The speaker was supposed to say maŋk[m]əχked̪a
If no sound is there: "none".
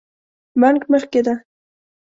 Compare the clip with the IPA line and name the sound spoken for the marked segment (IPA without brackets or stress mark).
m